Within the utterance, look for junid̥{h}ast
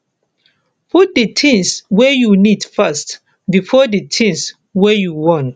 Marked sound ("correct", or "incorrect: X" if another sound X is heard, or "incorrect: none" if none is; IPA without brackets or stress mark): incorrect: f